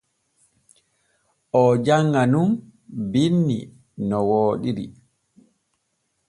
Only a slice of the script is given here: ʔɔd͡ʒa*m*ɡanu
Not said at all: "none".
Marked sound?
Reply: ŋ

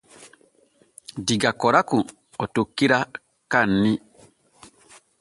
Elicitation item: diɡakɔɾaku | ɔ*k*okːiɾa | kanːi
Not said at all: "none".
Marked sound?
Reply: t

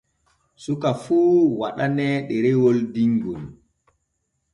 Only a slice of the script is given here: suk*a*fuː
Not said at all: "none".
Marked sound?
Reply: a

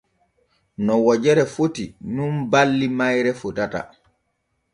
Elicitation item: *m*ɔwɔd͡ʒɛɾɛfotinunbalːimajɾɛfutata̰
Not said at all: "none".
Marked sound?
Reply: n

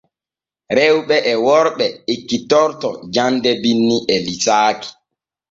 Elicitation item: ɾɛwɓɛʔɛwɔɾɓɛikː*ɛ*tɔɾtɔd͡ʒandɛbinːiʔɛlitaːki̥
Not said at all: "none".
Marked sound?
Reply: i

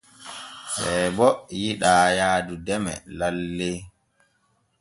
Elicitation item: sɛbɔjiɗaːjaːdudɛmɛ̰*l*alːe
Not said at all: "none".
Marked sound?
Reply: l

